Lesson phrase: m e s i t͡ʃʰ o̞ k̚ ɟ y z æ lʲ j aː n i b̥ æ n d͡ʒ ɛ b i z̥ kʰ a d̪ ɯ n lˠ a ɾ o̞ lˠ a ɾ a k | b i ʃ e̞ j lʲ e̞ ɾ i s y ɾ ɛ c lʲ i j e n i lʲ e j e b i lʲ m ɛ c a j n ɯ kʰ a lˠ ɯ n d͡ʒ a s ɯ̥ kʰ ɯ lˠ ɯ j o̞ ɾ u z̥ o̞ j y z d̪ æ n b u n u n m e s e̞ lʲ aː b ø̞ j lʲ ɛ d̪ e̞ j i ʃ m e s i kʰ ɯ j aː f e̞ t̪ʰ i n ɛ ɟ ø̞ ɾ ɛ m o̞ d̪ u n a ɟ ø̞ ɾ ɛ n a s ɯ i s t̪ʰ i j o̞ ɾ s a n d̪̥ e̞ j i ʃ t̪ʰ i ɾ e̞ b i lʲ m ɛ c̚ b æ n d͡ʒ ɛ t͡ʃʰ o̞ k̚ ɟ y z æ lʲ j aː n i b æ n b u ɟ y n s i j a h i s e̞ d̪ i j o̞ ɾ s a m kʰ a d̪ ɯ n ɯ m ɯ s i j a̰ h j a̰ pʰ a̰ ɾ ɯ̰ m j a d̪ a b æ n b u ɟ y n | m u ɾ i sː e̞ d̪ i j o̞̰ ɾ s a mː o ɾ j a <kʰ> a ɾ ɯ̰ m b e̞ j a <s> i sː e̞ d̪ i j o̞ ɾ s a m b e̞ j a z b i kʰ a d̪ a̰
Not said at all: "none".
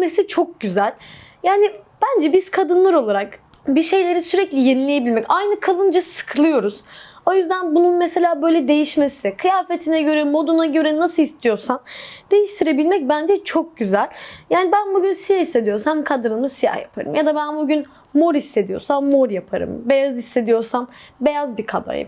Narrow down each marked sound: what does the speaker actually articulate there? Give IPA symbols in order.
pʰ, z

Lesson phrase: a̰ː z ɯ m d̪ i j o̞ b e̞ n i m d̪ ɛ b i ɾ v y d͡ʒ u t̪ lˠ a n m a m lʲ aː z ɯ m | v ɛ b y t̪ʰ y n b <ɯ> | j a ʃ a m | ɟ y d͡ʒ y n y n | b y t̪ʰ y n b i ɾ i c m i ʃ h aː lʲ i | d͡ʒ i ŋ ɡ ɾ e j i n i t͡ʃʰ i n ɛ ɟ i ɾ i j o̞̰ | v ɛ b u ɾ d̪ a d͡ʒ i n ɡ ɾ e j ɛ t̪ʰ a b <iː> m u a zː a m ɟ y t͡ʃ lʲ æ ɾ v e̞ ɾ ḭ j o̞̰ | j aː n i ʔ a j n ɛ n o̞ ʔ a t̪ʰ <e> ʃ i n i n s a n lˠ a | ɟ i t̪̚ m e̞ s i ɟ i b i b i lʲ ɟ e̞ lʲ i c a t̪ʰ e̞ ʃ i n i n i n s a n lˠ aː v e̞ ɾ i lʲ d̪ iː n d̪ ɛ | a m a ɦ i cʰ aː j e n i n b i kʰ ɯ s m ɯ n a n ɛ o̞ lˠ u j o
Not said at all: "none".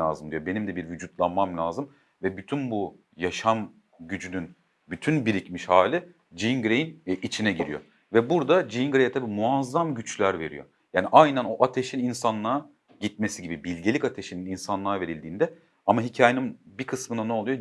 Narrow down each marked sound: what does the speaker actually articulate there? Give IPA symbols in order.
u, iː, e

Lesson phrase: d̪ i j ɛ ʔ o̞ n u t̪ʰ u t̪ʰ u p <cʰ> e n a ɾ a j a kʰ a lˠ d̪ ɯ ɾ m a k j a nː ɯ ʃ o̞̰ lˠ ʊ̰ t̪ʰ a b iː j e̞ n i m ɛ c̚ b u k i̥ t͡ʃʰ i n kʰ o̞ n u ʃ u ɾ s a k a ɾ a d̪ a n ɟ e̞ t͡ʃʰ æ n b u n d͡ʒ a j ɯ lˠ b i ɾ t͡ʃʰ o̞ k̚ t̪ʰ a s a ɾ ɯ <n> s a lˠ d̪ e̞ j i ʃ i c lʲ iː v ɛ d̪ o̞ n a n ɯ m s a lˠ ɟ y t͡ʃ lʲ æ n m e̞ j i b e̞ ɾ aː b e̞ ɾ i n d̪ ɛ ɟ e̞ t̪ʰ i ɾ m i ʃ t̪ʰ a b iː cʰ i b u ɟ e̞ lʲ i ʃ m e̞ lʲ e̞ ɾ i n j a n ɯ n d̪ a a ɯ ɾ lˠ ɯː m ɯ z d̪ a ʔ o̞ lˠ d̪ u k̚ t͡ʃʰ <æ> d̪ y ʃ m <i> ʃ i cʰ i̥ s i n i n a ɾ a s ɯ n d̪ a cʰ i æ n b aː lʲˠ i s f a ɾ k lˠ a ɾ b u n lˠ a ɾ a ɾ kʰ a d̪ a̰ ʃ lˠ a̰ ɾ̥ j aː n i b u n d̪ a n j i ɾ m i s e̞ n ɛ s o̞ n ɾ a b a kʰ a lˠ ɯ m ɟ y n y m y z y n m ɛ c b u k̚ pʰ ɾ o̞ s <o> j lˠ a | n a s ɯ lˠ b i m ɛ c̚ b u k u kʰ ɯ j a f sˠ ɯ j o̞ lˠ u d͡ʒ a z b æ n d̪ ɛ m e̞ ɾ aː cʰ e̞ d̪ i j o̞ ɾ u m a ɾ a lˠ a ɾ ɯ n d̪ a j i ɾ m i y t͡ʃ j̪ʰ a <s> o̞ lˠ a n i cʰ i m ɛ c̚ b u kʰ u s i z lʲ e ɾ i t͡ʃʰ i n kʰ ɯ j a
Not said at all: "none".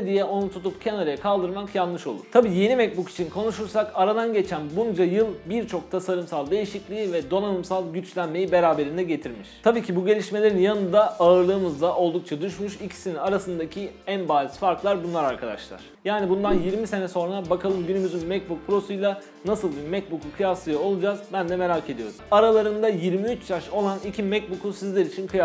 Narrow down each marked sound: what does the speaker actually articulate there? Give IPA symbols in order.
cʰ, m, a, y, u, ʃ

